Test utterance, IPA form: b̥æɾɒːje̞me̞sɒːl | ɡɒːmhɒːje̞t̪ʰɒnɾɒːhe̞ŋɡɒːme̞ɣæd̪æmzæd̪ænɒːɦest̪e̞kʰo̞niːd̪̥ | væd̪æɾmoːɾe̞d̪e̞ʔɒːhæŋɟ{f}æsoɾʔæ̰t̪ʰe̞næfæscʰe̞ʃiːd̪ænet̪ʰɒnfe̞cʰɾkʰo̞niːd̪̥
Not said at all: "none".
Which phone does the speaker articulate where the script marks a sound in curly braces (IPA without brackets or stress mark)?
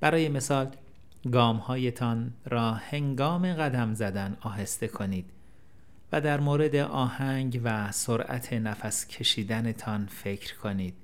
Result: v